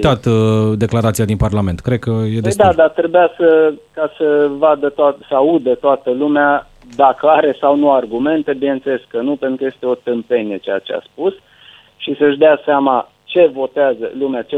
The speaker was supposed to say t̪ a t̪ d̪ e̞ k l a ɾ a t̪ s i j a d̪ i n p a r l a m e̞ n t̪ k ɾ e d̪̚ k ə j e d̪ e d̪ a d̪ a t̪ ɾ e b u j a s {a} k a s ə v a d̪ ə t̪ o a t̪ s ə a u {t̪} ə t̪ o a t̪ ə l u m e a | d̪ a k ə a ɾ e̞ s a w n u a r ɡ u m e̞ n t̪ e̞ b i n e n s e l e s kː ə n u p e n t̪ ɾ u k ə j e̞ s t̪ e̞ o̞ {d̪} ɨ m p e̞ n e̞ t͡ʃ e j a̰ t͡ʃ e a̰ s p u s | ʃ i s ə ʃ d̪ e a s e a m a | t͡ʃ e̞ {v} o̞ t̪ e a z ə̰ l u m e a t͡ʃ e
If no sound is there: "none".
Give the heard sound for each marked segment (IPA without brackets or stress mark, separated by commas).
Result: ə, d̪, t̪, v